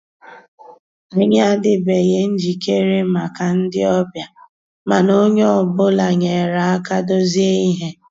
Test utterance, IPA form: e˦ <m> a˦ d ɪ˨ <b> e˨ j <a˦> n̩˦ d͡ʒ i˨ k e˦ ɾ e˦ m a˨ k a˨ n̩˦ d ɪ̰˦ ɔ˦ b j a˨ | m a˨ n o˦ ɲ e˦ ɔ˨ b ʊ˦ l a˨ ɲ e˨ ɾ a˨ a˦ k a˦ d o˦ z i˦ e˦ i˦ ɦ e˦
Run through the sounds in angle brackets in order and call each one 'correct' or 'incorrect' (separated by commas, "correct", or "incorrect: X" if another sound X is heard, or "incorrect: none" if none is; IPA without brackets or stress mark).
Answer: incorrect: ɲ, correct, incorrect: e˦